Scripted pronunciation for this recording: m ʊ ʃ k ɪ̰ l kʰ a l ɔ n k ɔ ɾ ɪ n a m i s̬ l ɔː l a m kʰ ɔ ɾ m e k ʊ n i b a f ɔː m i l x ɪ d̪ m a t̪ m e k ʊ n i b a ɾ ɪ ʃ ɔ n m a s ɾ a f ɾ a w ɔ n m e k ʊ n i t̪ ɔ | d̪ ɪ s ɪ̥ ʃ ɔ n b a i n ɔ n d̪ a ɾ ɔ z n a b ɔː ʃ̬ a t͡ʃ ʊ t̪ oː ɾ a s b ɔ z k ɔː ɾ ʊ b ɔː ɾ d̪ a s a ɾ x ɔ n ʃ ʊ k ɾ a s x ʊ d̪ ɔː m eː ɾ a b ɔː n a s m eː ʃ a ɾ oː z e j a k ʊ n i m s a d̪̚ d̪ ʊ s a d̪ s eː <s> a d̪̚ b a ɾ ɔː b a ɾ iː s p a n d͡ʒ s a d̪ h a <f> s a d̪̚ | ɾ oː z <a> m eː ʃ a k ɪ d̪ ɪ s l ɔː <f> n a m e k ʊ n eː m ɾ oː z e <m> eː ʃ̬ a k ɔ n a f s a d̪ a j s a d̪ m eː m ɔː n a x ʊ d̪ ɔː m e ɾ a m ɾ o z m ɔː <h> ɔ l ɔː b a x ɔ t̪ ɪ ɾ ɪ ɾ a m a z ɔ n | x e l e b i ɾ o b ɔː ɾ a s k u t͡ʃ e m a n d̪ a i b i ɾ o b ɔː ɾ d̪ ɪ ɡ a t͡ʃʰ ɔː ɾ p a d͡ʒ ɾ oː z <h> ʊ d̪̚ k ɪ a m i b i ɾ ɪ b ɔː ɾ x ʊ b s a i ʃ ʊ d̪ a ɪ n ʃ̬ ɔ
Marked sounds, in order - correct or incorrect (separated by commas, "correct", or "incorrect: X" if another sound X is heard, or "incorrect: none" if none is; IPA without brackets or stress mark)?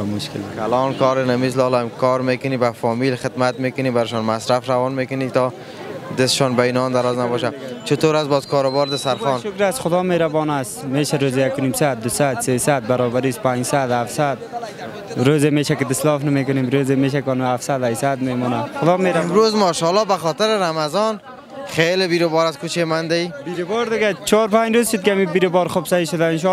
correct, correct, incorrect: e, correct, correct, incorrect: ʃ, incorrect: ʃ